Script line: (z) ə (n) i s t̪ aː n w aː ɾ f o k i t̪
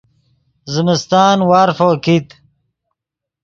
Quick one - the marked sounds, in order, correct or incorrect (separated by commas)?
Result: correct, incorrect